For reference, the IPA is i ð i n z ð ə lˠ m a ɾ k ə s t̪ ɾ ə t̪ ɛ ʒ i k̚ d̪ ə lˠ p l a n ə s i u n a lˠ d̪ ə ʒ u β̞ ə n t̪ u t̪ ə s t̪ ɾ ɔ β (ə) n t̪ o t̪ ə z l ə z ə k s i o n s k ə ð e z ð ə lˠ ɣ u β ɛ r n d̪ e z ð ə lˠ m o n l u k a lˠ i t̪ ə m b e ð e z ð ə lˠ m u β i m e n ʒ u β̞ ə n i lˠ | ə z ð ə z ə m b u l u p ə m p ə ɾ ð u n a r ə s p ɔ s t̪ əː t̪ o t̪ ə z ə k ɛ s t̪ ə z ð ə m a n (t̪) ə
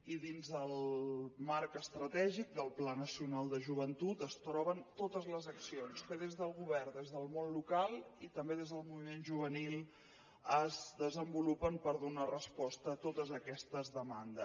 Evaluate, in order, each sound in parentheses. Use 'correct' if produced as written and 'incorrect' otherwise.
correct, incorrect

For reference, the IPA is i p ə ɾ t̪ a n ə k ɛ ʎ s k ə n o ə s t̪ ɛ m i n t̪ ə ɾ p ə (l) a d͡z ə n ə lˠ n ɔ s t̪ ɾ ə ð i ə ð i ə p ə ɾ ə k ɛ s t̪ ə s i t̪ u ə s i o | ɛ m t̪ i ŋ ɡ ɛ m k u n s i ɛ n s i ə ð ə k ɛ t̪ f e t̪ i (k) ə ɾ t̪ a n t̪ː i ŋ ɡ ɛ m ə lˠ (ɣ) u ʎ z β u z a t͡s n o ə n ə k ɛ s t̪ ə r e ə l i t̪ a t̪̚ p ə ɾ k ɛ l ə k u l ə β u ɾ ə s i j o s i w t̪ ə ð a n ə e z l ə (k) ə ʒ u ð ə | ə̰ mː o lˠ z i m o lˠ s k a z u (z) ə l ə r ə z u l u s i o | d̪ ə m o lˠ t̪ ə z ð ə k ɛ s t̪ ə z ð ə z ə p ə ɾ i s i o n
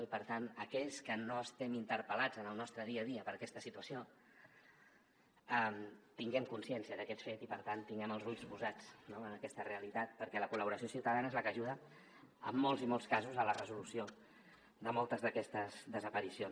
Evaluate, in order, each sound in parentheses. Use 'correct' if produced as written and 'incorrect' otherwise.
correct, incorrect, incorrect, correct, correct

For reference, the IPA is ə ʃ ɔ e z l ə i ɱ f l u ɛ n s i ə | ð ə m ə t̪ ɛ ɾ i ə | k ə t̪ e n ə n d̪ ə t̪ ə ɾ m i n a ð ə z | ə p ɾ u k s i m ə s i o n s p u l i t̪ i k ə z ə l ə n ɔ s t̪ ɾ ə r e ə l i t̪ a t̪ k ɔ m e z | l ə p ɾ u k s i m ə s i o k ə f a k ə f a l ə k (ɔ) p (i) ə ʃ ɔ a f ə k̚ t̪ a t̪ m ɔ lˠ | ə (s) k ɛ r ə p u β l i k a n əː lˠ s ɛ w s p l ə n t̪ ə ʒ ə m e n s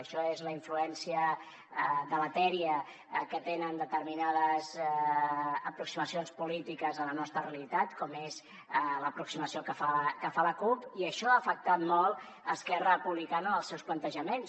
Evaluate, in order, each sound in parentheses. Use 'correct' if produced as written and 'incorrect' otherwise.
incorrect, correct, correct

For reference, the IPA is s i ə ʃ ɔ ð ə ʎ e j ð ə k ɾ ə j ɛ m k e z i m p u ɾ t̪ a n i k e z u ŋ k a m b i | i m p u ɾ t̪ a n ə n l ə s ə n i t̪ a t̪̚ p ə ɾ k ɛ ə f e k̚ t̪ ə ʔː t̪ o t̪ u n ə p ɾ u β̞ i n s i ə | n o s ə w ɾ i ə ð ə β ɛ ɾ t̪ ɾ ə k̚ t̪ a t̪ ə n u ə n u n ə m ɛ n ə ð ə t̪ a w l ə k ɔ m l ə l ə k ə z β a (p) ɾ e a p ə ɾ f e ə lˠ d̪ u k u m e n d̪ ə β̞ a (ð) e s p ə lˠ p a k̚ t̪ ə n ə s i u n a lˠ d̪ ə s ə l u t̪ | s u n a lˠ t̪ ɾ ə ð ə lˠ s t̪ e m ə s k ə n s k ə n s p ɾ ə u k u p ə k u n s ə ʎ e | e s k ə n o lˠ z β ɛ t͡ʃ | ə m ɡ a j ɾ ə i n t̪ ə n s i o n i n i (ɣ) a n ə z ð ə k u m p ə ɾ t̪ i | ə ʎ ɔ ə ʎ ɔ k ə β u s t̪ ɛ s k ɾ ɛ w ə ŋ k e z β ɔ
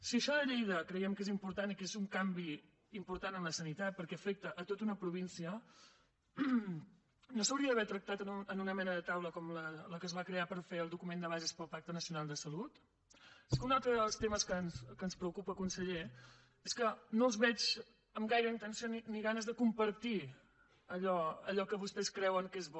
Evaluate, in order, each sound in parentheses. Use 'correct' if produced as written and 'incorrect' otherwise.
incorrect, incorrect, correct

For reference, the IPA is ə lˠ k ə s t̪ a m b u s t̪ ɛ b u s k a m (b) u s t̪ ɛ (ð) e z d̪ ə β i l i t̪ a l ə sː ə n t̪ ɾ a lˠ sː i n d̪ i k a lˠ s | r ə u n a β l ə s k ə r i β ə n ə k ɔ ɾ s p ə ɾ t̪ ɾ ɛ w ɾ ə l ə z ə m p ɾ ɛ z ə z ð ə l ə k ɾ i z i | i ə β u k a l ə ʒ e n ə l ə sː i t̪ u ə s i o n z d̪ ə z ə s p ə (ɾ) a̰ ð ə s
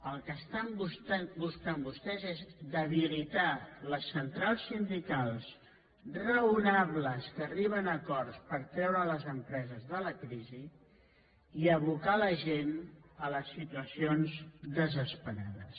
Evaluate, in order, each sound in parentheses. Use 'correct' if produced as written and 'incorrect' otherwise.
correct, incorrect, correct

